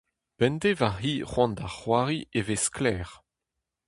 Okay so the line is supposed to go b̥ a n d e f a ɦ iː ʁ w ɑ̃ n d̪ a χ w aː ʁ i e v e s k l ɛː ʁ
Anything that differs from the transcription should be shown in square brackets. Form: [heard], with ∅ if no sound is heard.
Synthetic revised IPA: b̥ [ɛ] n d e [v] a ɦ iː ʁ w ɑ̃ n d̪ a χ w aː ʁ i e v e s k l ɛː ʁ